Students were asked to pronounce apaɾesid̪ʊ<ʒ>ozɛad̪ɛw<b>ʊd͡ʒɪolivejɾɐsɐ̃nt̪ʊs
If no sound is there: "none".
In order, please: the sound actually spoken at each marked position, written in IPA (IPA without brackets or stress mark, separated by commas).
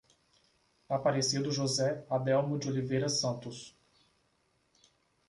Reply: ʒ, m